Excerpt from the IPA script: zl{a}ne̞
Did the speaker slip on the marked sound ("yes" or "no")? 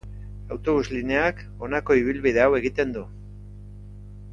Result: yes